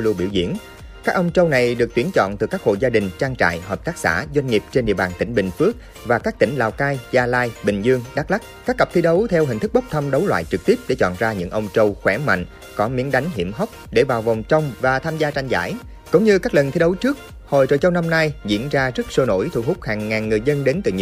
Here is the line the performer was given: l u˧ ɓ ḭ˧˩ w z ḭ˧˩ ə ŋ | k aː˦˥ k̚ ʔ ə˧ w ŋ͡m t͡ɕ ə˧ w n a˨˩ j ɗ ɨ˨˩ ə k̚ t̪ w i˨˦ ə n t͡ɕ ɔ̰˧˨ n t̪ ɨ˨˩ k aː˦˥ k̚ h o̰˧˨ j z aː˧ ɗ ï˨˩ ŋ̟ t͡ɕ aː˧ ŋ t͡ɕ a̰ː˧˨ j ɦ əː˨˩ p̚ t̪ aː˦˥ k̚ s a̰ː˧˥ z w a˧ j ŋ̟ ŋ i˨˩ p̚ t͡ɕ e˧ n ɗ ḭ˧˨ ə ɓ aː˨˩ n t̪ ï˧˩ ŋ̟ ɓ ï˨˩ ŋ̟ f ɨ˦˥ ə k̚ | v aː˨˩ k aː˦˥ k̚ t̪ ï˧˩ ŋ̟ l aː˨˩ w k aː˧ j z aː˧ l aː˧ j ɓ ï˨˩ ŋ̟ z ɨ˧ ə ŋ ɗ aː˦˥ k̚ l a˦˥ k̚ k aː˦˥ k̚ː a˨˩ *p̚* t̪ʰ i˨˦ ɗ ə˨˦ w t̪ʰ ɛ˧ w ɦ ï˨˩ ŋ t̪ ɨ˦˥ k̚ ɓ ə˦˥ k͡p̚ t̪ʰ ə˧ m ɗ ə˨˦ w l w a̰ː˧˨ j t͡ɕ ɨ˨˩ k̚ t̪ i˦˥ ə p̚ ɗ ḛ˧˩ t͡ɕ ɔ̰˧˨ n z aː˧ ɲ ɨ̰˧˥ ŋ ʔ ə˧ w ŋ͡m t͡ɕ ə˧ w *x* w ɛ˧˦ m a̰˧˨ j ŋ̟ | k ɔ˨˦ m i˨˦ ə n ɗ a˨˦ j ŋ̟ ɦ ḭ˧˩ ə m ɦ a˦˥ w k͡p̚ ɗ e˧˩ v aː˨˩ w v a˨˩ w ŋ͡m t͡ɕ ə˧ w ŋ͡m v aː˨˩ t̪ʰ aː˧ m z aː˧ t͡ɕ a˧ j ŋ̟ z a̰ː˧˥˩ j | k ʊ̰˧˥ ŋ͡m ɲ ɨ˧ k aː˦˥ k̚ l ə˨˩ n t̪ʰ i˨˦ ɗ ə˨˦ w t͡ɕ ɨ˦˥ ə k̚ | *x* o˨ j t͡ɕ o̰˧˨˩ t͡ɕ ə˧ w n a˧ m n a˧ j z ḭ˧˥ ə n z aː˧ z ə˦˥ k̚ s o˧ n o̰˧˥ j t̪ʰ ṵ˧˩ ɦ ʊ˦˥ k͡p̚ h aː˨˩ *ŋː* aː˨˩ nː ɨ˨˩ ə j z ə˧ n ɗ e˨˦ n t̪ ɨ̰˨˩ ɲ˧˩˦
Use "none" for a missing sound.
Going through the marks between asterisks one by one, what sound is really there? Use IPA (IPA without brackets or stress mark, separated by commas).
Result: p̚, x, h, ŋː